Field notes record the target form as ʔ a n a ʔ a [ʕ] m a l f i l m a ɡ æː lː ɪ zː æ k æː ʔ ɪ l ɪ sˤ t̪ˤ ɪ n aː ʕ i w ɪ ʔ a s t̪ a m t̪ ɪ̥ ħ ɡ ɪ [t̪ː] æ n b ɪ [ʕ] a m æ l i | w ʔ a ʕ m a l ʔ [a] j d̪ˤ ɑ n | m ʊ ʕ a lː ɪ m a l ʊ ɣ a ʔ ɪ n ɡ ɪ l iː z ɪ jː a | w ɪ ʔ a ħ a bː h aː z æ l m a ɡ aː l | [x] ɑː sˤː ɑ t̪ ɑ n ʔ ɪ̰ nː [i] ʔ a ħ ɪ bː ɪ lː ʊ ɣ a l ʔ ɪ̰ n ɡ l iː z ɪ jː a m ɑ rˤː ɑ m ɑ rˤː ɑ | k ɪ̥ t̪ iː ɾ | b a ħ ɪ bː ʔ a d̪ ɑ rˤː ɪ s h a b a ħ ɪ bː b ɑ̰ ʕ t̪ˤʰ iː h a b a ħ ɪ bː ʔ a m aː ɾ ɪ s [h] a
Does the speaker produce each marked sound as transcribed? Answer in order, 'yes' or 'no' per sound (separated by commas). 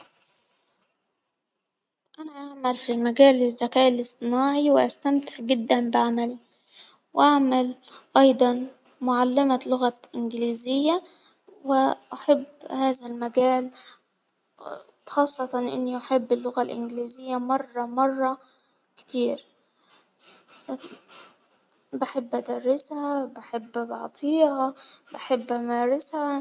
yes, no, yes, no, yes, yes, yes